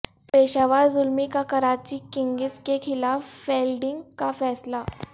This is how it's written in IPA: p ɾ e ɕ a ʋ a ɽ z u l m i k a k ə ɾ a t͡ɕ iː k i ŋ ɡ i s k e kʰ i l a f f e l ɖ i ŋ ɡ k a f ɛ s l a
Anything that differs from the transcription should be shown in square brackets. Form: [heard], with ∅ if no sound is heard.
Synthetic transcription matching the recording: p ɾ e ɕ a ʋ a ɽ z u l m i k a k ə ɾ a t͡ɕ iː k i ŋ ɡ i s k e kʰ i l a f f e l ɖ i ŋ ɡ k a f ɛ s l a